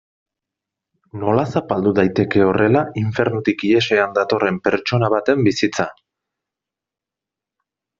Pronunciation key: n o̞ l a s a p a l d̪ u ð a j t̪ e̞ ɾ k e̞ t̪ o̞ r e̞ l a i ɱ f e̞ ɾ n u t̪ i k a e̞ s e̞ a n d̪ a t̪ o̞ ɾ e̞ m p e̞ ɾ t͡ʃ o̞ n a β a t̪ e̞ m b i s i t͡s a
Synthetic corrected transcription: n o̞ l a s a p a l d̪ u ð a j t̪ e̞ k e̞ o̞ r e̞ l a i ɱ f e̞ ɾ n u t̪ i k i e̞ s e̞ a n d̪ a t̪ o̞ r e̞ m p e̞ ɾ t͡ʃ o̞ n a β a t̪ e̞ m b i s i t͡s a